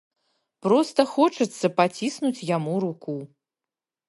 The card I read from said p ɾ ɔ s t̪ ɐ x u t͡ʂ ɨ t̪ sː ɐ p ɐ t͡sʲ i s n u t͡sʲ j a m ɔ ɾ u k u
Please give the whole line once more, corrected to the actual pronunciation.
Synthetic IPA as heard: p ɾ ɔ s t̪ ɐ x ɔ t͡ʂ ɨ t̪ sː ɐ p a t͡sʲ i s n u t͡sʲ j a m u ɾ u k u